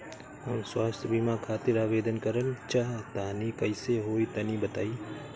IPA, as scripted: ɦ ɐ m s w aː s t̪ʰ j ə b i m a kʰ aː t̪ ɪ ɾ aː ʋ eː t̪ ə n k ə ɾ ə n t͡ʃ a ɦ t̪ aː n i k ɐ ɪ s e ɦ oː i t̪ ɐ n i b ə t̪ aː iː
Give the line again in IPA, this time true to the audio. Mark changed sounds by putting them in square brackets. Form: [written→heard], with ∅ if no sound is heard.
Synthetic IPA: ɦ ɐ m s w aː s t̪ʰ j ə b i m a kʰ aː t̪ ɪ ɾ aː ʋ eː [t̪→d̪] ə n k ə ɾ ə n t͡ʃ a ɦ t̪ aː n i k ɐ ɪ s e ɦ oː i t̪ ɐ n i b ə t̪ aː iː